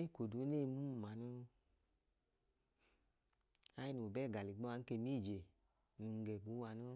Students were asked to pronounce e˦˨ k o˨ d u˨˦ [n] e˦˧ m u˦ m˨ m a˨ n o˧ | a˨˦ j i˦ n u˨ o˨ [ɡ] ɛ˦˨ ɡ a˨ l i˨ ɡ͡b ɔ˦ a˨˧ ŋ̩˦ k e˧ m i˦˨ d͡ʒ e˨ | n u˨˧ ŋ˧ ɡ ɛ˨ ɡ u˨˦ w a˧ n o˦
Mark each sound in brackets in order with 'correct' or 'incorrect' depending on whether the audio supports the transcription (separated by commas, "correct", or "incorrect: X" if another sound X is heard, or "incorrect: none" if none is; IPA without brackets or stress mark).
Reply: correct, incorrect: b